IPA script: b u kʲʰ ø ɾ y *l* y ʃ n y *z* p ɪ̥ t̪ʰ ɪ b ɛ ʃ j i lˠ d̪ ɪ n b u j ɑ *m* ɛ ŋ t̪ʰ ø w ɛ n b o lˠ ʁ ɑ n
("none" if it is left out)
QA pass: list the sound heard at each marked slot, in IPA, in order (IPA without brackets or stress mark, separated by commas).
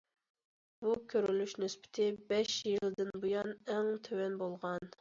l, s, n